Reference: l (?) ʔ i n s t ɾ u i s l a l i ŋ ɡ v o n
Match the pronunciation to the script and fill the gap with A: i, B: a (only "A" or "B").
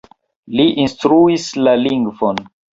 A